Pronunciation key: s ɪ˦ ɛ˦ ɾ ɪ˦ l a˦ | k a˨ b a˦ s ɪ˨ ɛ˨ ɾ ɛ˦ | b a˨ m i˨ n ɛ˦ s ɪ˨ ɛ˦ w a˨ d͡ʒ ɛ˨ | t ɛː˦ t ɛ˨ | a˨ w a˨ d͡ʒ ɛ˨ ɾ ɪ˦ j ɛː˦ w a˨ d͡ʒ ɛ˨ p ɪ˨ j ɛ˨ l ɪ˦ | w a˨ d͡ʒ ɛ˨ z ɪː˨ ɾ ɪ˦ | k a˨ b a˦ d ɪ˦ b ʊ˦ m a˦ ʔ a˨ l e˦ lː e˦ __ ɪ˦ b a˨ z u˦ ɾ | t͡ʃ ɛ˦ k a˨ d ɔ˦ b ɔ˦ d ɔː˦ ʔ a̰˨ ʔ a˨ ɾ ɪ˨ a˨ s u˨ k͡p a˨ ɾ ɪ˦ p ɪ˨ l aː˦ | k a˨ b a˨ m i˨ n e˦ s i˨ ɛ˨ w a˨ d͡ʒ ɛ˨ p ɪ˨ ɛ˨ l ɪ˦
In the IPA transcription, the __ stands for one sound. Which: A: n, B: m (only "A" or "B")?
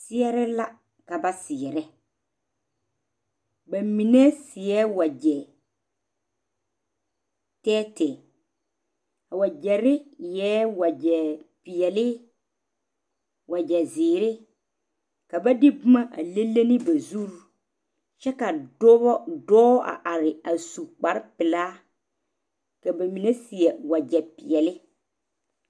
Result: A